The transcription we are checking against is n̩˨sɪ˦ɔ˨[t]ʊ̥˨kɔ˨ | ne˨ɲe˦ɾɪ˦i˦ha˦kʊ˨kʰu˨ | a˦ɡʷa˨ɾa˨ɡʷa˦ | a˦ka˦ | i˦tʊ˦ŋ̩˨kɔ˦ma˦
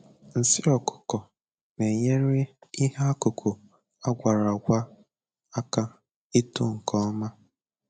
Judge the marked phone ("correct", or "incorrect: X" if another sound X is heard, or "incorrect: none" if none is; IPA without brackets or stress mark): incorrect: k